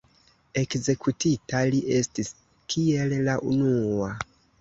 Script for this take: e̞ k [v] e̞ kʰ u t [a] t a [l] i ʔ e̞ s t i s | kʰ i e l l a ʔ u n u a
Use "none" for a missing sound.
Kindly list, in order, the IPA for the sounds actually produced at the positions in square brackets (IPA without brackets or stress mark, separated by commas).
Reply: z, i, l